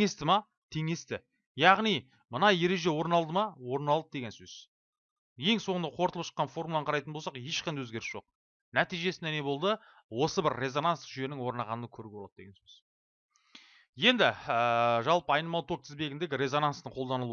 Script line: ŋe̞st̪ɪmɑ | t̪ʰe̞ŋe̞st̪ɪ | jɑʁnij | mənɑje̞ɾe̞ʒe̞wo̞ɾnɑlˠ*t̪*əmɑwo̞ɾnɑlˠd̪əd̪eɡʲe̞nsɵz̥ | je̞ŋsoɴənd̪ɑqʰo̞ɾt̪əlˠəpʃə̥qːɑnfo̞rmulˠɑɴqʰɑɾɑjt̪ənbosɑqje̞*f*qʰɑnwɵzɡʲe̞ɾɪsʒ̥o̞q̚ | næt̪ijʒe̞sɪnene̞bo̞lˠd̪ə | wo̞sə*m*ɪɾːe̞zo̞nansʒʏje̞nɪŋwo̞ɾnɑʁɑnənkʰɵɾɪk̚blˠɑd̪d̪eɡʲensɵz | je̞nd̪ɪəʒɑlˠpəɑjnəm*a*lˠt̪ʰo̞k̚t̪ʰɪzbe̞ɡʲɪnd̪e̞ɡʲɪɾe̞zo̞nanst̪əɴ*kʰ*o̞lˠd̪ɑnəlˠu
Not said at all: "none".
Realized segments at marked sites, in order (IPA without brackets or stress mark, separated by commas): d̪, ʃ, b, ɑ, qʰ